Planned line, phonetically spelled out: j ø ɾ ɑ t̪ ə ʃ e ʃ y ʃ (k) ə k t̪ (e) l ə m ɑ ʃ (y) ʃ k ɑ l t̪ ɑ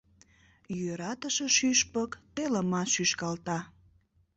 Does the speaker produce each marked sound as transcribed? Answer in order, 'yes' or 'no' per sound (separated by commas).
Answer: no, yes, yes